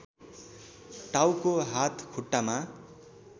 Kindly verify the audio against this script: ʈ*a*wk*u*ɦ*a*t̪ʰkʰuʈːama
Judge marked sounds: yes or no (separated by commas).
yes, no, yes